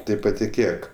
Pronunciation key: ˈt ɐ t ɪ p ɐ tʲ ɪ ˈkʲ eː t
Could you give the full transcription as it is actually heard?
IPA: ˈt ɐ ɪ p ɐ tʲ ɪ ˈkʲ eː k